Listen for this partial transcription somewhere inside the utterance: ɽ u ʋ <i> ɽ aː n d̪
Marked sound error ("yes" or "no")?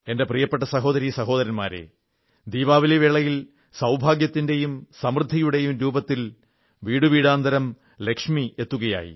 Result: yes